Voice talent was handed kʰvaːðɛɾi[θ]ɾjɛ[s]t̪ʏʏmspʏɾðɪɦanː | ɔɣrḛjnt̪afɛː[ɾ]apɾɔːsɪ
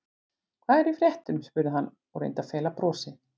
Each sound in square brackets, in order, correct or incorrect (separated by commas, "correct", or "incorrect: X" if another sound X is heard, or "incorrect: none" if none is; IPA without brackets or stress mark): incorrect: f, incorrect: h, incorrect: l